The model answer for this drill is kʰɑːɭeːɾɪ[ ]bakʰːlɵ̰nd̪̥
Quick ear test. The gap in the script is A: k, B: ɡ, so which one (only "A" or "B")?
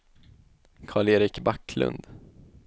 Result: A